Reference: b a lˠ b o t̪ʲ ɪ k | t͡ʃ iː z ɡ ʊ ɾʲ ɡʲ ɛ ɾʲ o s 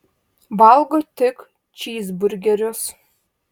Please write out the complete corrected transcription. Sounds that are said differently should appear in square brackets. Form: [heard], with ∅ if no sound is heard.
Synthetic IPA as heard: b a lˠ [ɡ] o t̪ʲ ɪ k | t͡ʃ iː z [b] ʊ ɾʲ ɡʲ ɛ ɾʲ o s

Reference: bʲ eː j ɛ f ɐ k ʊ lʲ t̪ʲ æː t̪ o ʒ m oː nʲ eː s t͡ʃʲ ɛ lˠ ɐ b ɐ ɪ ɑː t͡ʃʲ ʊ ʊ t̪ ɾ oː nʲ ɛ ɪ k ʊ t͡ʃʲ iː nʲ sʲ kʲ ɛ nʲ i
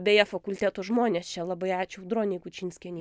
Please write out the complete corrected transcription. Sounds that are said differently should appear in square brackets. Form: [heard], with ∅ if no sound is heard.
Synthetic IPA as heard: bʲ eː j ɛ f ɐ k ʊ lʲ t̪ʲ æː t̪ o ʒ m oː nʲ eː s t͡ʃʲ ɛ lˠ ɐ b ɐ ɪ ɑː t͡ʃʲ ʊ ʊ [d̪] ɾ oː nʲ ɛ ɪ k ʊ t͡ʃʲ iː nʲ sʲ kʲ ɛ nʲ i

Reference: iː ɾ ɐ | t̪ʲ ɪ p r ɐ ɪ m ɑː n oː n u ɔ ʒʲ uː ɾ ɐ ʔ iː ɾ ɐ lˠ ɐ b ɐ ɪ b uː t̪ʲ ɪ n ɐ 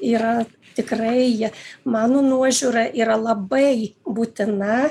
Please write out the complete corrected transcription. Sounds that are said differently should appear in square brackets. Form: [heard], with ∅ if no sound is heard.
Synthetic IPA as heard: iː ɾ ɐ | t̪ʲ ɪ [k] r ɐ ɪ m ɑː n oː n u ɔ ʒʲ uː ɾ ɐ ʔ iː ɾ ɐ lˠ ɐ b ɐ ɪ b uː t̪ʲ ɪ n ɐ

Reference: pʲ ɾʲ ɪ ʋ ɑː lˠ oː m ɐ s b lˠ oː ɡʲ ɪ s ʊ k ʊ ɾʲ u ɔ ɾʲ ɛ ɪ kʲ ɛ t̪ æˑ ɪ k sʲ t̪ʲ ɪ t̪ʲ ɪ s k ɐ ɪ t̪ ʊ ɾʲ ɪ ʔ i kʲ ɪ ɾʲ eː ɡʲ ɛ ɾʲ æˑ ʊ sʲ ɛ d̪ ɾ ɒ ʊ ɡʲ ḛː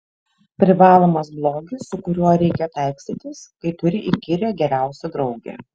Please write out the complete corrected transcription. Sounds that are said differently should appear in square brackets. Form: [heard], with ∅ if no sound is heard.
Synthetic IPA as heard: pʲ ɾʲ ɪ ʋ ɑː lˠ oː m ɐ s b lˠ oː ɡʲ ɪ s ʊ k ʊ ɾʲ u ɔ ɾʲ ɛ ɪ kʲ ɛ t̪ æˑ ɪ k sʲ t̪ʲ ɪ t̪ʲ ɪ s k ɐ ɪ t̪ ʊ ɾʲ ɪ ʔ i kʲ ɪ ɾʲ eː ɡʲ ɛ ɾʲ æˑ ʊ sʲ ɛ d̪ ɾ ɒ ʊ ɡʲ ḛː

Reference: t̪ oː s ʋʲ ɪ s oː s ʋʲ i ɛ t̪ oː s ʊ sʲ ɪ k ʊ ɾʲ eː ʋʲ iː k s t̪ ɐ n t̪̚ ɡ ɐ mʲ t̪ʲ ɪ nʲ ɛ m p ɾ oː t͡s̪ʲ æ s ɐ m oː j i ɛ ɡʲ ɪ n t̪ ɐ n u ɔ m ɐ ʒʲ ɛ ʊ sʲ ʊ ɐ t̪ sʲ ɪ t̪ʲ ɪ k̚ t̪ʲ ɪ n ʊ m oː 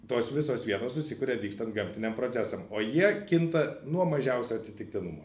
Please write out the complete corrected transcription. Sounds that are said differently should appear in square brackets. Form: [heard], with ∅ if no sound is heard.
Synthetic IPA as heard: t̪ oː s ʋʲ ɪ s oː s ʋʲ i ɛ t̪ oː s ʊ sʲ ɪ k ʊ ɾʲ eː ʋʲ iː k s t̪ ɐ n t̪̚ ɡ ɐ mʲ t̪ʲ ɪ nʲ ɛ m p ɾ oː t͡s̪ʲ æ s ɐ m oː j i ɛ [kʲ] ɪ n t̪ ɐ n u ɔ m ɐ ʒʲ ɛ ʊ sʲ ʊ ɐ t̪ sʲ ɪ t̪ʲ ɪ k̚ t̪ʲ ɪ n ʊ m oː

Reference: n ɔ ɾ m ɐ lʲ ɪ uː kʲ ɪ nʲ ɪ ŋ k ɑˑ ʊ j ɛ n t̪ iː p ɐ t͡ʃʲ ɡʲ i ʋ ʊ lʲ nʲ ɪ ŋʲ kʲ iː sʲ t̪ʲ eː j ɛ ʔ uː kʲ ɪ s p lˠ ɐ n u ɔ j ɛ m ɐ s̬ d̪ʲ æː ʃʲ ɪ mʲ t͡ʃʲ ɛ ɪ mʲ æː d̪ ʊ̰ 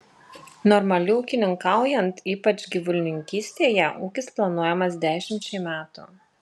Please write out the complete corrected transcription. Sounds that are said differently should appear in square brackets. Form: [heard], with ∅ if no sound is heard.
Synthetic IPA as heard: n ɔ ɾ m ɐ lʲ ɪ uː kʲ ɪ nʲ ɪ ŋ k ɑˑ ʊ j ɛ n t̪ iː p ɐ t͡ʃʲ ɡʲ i ʋ ʊ lʲ nʲ ɪ ŋʲ kʲ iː sʲ t̪ʲ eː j ɛ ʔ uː kʲ ɪ s p lˠ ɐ n u ɔ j ɛ m ɐ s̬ d̪ʲ æː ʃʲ ɪ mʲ t͡ʃʲ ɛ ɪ mʲ æː [t̪] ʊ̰

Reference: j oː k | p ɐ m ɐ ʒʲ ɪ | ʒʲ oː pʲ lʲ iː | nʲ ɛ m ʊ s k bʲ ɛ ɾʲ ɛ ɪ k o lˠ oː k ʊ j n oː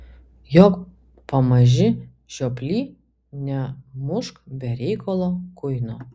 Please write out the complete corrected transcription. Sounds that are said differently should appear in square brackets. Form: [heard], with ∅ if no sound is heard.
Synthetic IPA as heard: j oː k | p ɐ m ɐ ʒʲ ɪ | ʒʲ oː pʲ lʲ iː | nʲ ɛ m ʊ [ʃ] k bʲ ɛ ɾʲ ɛ ɪ k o lˠ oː k ʊ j n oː

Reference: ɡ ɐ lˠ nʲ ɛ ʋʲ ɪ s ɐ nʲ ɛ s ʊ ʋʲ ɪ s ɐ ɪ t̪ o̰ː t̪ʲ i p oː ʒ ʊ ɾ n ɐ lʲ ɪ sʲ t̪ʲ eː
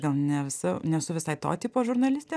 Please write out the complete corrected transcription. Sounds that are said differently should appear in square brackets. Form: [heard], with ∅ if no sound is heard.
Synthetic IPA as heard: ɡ ɐ lˠ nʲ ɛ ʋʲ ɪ s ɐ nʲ ɛ s ʊ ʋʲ ɪ s ɐ ɪ t̪ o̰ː t̪ʲ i p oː ʒ ʊ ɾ n ɐ lʲ ɪ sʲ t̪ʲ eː

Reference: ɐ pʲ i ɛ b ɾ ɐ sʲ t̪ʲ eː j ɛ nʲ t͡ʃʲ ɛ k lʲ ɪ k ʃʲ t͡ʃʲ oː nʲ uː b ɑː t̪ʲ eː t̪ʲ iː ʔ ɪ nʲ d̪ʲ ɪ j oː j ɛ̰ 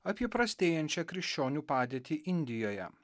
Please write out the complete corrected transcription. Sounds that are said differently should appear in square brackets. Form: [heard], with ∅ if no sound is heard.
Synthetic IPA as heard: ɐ pʲ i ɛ [p] ɾ ɐ sʲ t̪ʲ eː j ɛ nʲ t͡ʃʲ ɛ k [ɾʲ] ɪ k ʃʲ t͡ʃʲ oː nʲ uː [p] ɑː [d̪ʲ] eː t̪ʲ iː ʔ ɪ nʲ d̪ʲ ɪ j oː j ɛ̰

